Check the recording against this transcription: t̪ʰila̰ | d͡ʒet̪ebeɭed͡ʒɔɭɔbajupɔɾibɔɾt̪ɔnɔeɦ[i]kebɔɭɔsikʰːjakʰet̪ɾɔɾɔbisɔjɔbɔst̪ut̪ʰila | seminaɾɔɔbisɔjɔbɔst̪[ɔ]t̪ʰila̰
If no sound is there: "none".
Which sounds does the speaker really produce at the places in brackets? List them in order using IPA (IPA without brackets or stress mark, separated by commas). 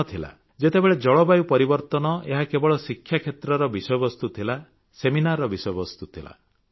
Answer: a, u